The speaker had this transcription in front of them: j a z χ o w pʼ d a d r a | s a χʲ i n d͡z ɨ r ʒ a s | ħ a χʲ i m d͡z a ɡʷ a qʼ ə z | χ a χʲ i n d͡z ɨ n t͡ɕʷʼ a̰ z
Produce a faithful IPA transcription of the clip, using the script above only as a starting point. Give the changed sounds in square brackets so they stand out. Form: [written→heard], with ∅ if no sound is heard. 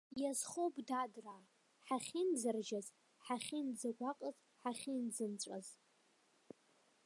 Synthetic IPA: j a z χ o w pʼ d a d r a | [s→ħ] a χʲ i n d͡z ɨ r ʒ a [s→z] | ħ a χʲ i [m→n] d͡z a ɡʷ a qʼ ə z | [χ→ħ] a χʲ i n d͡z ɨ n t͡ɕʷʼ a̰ z